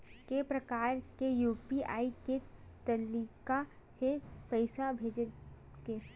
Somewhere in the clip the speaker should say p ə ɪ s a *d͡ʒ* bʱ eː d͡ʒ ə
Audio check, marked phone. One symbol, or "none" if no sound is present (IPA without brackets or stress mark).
none